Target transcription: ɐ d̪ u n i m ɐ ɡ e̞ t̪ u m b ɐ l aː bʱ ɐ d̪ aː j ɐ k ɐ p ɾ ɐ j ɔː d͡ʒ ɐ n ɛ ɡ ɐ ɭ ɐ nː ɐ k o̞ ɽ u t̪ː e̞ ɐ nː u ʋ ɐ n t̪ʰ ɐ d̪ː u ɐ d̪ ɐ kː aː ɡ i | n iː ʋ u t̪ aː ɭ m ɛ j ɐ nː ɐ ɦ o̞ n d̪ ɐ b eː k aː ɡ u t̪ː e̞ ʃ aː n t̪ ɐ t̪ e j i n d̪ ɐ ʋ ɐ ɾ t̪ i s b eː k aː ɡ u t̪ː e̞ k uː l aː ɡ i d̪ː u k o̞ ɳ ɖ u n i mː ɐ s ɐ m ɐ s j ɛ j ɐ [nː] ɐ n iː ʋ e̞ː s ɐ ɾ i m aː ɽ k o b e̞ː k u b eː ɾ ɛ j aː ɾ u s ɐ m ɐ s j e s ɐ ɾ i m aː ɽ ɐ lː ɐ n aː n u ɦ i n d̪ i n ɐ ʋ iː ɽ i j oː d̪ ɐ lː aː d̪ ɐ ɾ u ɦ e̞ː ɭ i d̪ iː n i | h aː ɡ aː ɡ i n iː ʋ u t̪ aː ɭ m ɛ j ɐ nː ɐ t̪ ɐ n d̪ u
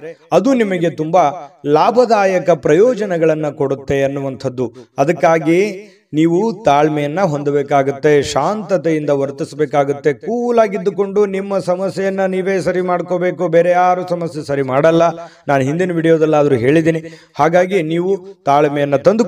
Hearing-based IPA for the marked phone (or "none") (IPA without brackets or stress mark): nː